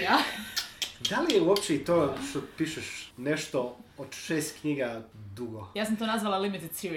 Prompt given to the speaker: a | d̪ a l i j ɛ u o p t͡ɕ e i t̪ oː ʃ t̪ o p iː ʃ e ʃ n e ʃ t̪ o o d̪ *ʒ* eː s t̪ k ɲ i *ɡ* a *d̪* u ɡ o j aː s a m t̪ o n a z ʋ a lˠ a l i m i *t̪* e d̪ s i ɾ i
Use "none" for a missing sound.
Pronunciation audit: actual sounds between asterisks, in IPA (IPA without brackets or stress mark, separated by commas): ʃ, ɡ, d̪, t̪